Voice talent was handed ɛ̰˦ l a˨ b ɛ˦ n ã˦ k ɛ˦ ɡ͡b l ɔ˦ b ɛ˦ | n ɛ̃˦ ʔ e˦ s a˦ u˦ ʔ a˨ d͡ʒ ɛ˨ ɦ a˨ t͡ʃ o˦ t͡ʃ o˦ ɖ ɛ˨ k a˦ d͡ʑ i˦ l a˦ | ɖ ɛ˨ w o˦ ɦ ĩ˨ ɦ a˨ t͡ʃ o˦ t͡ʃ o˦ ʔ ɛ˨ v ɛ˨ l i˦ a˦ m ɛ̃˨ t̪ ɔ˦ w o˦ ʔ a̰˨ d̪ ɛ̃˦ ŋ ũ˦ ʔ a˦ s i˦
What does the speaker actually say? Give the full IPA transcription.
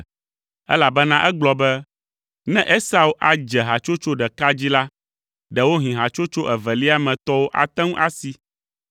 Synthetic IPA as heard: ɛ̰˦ l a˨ b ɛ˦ n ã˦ ʔ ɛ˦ ɡ͡b l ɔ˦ b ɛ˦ | n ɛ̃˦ ʔ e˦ s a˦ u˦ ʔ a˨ d͡ʒ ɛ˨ ɦ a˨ t͡ʃ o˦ t͡ʃ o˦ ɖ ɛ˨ k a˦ d͡ʑ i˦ l a˦ | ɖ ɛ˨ w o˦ ɦ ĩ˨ ɦ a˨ t͡ʃ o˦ t͡ʃ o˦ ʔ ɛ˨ v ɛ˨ l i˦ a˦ m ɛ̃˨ t̪ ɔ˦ w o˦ ʔ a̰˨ t̪ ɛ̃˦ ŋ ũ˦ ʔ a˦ s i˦